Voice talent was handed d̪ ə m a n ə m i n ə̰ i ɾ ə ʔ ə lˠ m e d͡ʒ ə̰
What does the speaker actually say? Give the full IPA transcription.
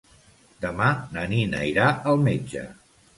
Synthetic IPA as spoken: d̪ ə m a n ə n i n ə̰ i ɾ a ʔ ə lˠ m e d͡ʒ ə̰